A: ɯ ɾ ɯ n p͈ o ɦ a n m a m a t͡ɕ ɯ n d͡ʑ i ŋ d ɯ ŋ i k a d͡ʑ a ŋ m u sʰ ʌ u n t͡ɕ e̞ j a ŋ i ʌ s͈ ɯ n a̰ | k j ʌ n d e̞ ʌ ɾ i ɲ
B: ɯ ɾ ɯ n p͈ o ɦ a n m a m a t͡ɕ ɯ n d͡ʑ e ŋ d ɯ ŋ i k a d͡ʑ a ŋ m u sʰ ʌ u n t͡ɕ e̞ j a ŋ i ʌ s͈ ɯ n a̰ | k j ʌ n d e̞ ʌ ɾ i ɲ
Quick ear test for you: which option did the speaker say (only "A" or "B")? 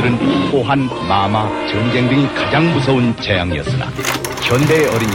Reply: B